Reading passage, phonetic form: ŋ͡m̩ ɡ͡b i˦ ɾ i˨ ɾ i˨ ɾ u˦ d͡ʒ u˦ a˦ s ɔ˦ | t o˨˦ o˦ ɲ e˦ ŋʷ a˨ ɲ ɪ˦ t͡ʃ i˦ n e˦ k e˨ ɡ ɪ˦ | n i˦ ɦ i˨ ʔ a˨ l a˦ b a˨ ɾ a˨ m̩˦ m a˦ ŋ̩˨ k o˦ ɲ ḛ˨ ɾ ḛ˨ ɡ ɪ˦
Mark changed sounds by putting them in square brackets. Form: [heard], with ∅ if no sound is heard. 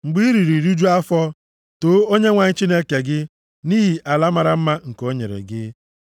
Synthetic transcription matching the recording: ŋ͡m̩ ɡ͡b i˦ ɾ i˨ ɾ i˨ ɾ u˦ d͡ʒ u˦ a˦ [f] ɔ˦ | t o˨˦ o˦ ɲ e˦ ŋʷ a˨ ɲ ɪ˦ t͡ʃ i˦ n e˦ k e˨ ɡ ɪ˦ | n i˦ ɦ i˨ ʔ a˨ l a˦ [m] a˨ ɾ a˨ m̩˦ m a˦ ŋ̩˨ k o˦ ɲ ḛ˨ ɾ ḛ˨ ɡ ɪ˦

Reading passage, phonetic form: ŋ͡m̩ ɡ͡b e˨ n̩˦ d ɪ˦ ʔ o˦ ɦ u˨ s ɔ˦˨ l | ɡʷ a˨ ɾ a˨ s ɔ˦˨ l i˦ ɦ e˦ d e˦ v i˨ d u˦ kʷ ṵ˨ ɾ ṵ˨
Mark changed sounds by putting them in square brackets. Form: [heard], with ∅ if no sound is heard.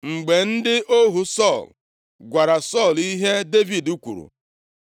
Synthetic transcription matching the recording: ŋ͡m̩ ɡ͡b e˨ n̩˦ d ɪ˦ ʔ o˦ ɦ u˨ s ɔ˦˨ l | ɡʷ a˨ ɾ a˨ s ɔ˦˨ l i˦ ɦ e˦ d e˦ v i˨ d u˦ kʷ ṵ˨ ɾ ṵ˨

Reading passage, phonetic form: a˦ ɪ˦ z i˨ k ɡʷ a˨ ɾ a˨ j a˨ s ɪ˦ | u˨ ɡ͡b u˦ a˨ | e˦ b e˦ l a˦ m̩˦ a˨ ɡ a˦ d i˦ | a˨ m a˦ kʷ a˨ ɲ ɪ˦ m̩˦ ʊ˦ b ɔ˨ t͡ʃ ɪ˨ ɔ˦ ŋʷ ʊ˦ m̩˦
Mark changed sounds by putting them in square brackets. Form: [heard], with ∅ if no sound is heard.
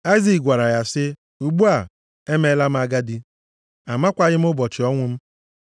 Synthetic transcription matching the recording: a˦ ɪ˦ z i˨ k ɡʷ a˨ ɾ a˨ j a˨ s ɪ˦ | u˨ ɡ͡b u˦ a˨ | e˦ [m] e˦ l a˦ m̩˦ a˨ ɡ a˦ d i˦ | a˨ m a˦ kʷ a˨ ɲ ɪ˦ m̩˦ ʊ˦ b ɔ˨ t͡ʃ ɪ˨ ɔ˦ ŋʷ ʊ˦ m̩˦

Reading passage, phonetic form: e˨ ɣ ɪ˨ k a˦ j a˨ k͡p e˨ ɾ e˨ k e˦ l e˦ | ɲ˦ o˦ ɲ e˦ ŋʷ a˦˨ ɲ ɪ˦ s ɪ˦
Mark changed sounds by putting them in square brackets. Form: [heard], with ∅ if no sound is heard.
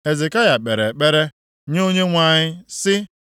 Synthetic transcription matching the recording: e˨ [z] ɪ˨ k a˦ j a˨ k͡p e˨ ɾ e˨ [k͡p] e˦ [ɾ] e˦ | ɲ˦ o˦ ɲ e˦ ŋʷ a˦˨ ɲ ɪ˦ s ɪ˦

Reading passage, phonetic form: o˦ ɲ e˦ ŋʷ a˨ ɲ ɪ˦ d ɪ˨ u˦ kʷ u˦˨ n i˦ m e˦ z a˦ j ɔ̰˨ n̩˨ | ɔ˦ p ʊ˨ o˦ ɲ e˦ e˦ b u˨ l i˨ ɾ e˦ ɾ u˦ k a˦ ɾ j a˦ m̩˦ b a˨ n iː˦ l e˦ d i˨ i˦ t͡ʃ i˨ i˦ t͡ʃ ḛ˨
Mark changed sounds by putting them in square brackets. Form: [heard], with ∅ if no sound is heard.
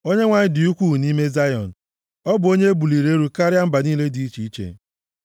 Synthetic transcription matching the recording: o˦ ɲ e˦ ŋʷ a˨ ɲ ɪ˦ d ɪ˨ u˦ kʷ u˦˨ n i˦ m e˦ z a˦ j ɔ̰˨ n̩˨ | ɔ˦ [b] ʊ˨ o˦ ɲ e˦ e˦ b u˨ l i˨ ɾ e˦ ɾ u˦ k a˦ ɾ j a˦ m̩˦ b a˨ n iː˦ l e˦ d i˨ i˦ t͡ʃ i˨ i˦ t͡ʃ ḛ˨

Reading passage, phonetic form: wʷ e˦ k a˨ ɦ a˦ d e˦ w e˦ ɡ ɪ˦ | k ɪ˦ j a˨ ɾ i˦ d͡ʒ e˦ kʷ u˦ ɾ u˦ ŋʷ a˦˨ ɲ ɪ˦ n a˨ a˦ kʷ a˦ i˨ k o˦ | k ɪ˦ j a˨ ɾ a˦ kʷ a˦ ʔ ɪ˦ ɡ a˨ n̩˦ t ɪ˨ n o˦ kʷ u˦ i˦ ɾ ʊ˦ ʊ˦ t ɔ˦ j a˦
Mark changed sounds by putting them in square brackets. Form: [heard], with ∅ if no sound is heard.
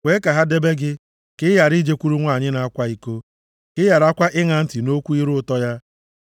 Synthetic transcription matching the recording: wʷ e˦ k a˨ ɦ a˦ d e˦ [b] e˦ ɡ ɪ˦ | k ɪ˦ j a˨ ɾ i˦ d͡ʒ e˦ kʷ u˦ ɾ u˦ ŋʷ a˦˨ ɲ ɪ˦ n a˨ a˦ kʷ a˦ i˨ k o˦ | k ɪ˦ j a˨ ɾ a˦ kʷ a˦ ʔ ɪ˦ [ŋ] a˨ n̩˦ t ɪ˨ n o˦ kʷ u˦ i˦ ɾ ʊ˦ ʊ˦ t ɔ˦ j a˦

